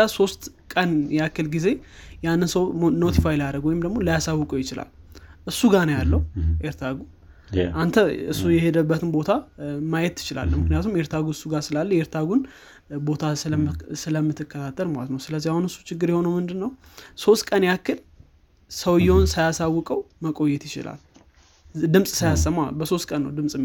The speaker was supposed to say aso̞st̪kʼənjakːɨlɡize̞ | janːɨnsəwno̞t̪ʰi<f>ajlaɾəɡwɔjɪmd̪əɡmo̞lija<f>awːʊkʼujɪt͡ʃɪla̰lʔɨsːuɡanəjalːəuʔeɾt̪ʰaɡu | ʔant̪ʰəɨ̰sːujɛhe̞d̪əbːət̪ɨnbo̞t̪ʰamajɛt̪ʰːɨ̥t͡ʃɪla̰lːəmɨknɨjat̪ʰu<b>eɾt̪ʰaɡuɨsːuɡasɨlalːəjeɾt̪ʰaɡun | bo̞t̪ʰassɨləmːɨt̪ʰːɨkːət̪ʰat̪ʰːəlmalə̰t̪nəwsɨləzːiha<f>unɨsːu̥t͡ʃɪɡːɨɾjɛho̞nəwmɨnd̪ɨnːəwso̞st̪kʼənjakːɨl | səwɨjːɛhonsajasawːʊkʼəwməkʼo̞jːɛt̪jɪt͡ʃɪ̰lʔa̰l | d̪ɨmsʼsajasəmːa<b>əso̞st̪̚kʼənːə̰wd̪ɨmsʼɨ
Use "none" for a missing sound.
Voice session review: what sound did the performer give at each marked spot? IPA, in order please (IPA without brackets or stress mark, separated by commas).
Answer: f, s, m, h, b